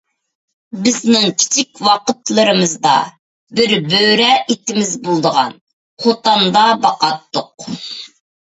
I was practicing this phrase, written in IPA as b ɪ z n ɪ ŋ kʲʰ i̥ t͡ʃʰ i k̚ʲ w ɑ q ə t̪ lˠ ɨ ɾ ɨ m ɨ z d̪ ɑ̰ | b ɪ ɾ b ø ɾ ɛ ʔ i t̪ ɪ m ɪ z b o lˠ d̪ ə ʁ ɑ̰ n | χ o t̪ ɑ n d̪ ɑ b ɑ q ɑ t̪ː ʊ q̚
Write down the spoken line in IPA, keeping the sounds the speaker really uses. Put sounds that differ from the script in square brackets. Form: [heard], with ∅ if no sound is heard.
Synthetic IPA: b ɪ z n ɪ ŋ kʲʰ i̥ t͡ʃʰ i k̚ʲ w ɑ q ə t̪ lˠ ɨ ɾ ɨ m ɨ z d̪ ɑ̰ | b ɪ ɾ b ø ɾ ɛ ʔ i t̪ ɪ m ɪ z b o lˠ d̪ ə ʁ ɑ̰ n | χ o t̪ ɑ n d̪ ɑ b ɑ q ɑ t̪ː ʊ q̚